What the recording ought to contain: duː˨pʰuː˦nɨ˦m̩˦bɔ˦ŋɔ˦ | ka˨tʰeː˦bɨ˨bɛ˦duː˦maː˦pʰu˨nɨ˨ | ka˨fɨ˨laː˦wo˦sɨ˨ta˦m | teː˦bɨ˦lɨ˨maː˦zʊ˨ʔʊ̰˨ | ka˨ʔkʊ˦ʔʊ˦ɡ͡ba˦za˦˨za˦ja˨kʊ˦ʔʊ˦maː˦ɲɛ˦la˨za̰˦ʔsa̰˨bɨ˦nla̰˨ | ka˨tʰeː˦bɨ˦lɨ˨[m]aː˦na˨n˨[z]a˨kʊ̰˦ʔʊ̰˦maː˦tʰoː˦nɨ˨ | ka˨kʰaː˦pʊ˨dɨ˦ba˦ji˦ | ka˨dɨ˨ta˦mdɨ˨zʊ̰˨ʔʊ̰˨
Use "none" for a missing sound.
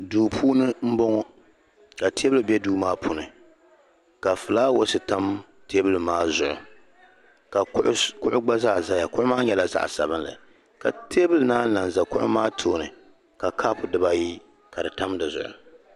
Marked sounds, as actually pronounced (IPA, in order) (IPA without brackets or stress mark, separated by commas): n, z